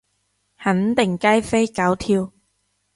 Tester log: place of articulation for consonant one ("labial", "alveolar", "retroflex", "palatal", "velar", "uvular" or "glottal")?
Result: glottal